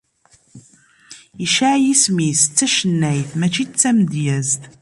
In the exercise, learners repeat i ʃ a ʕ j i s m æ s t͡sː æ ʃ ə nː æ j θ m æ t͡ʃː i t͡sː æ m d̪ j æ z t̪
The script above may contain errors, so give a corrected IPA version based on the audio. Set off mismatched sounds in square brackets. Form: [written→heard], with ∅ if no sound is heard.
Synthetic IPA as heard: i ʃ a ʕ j i s m [æ→i] s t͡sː æ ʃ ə nː æ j θ m æ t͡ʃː i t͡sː æ m d̪ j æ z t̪

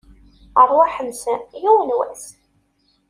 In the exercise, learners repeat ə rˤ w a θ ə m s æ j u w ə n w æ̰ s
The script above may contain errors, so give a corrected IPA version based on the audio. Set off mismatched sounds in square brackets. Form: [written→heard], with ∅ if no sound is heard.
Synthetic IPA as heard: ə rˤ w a [θ→ħ] ə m s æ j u w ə n w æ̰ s

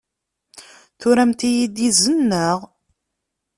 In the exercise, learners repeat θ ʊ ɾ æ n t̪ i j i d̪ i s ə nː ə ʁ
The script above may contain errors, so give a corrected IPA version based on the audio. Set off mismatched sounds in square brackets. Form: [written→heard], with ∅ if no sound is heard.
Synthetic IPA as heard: θ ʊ ɾ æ [n→m] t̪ i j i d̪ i [s→z] ə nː ə ʁ

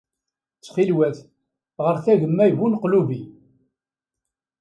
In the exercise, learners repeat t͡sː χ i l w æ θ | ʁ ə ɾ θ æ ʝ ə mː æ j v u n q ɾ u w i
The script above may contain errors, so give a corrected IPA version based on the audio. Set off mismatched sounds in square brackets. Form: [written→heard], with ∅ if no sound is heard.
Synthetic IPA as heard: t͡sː χ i l w æ θ | ʁ ə ɾ θ æ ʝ ə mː æ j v u n q [ɾ→l] u [w→v] i

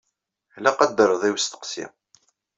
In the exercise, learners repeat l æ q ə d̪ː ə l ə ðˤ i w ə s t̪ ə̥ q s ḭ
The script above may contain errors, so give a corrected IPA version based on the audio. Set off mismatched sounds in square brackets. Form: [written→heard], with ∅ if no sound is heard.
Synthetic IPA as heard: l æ q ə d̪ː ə [l→ɾ] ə ðˤ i w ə s t̪ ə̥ q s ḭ

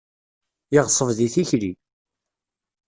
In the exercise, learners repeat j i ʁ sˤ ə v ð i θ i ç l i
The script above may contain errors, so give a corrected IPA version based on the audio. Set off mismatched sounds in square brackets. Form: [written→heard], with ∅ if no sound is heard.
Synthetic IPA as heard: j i ʁ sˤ ə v ð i θ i ç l i

